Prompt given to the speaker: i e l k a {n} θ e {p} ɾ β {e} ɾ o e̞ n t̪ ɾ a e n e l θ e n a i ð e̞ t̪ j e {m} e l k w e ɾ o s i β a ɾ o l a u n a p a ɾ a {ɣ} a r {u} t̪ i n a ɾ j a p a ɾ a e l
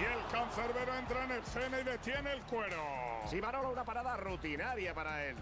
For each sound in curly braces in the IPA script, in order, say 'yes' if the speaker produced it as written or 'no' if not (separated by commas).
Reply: yes, no, yes, no, no, yes